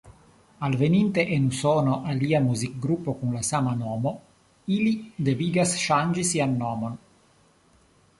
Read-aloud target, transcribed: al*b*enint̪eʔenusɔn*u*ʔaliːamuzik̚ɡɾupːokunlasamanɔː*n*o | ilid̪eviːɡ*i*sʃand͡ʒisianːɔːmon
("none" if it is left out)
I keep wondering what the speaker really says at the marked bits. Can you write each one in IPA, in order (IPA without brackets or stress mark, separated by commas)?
v, o, m, a